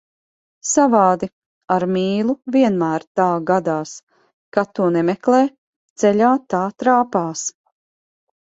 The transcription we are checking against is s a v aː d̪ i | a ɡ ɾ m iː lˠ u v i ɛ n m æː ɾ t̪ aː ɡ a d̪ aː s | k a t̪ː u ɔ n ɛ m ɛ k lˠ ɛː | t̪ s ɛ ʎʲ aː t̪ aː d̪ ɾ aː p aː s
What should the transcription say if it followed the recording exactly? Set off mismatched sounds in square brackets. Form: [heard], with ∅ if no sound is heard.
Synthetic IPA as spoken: s a v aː d̪ i | a [∅] ɾ m iː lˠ u v i ɛ n m æː ɾ t̪ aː ɡ a d̪ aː s | k a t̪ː u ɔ n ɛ m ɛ k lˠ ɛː | t̪ s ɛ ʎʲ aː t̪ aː [t̪] ɾ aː p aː s